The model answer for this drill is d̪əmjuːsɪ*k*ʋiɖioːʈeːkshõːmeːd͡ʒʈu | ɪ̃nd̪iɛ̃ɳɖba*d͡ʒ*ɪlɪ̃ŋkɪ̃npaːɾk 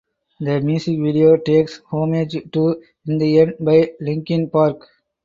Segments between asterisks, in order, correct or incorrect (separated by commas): correct, incorrect